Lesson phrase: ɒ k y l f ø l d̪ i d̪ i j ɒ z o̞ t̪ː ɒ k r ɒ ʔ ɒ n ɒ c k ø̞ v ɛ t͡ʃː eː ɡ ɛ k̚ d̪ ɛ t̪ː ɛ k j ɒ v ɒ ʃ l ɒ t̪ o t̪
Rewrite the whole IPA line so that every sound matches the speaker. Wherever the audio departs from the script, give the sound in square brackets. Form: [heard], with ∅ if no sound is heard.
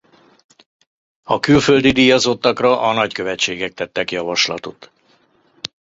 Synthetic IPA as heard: ɒ k y l f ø l d̪ i d̪ i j ɒ z o̞ t̪ː ɒ k r ɒ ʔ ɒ n ɒ c k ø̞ v ɛ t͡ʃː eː ɡ ɛ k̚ [t̪] ɛ t̪ː ɛ k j ɒ v ɒ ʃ l ɒ t̪ o t̪